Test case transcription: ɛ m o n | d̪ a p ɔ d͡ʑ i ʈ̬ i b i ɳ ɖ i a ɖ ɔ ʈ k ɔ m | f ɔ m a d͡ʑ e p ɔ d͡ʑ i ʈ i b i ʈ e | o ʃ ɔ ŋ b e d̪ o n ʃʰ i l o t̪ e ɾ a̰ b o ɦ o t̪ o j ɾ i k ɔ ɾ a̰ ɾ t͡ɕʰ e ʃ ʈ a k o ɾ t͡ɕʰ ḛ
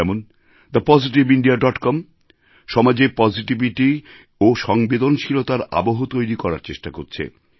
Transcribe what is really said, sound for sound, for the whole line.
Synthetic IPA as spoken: ɛ m o n | d̪ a p ɔ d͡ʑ i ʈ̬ i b i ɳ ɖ i a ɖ ɔ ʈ k ɔ m | ʃ ɔ m a d͡ʑ e p ɔ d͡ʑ i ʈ i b i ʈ i | o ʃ ɔ ŋ b e d̪ o n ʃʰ i l o t̪ a ɾ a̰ b o ɦ o t̪ o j ɾ i k ɔ ɾ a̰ ɾ t͡ɕ e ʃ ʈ a k o ɾ t͡ɕʰ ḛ